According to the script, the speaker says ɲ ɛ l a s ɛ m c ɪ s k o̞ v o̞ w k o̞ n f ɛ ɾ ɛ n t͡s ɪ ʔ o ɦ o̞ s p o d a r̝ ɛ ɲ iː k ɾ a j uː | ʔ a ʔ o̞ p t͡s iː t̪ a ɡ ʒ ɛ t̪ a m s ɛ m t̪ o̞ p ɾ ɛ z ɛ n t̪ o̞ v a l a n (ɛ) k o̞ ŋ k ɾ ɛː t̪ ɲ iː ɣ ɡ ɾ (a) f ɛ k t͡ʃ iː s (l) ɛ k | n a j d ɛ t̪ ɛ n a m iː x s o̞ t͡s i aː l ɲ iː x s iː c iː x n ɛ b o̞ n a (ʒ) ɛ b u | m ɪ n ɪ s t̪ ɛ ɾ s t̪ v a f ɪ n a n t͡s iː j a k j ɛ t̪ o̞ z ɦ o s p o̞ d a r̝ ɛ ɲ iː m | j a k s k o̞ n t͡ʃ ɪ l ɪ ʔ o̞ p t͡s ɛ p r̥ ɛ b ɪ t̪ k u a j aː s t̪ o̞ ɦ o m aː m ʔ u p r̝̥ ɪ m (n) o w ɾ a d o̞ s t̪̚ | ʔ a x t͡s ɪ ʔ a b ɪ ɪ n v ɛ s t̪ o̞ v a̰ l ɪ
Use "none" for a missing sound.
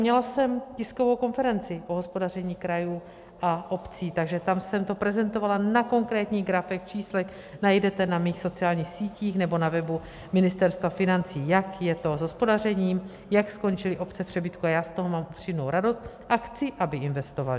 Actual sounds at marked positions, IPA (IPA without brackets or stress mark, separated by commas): a, a, l, v, n